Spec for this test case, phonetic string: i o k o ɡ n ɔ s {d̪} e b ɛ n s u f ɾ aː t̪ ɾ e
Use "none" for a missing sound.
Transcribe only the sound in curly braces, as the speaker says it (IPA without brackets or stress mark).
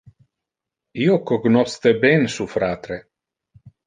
t̪